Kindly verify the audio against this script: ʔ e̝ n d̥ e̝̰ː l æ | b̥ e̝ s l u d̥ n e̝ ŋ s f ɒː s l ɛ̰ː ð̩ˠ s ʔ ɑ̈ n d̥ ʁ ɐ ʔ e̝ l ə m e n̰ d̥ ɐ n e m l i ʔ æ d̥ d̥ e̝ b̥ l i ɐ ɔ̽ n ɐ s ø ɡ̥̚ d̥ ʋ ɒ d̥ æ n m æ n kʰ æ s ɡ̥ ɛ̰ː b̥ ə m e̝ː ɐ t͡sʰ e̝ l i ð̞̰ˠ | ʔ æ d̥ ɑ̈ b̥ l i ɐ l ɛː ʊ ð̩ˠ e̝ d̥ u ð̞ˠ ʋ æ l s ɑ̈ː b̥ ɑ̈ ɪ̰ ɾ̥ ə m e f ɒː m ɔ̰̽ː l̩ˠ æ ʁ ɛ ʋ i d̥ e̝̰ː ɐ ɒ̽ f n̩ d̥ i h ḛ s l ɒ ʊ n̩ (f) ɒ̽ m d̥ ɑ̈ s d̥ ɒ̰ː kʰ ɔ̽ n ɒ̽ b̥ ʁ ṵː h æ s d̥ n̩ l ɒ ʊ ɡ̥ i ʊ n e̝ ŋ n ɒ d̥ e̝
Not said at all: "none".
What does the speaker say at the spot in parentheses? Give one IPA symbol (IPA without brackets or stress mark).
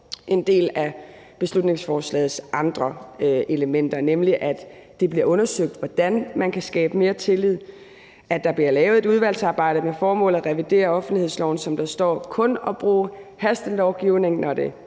s